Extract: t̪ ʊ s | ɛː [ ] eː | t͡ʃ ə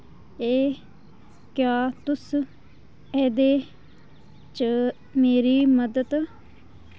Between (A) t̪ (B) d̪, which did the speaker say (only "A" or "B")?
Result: B